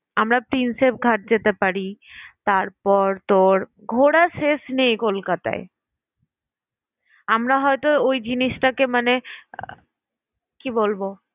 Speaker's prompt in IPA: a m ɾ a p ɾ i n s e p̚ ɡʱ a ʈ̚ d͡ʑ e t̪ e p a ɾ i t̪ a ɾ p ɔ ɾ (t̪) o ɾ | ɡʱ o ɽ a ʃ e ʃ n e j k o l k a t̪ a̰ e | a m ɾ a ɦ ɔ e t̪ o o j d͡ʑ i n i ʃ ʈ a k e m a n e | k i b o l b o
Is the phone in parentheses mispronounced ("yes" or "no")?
no